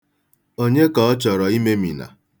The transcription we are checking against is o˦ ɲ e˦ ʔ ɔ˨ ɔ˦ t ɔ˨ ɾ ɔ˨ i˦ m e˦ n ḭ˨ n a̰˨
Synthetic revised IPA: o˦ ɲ e˦ k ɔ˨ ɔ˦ t͡ʃ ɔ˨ ɾ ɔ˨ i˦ m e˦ m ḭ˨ n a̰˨